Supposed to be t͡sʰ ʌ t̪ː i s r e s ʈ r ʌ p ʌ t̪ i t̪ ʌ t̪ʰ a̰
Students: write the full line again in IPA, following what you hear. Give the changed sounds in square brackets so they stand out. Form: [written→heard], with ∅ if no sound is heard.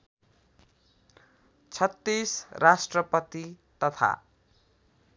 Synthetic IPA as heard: t͡sʰ ʌ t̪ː i s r [e→a] s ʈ r ʌ p ʌ t̪ i t̪ ʌ t̪ʰ a̰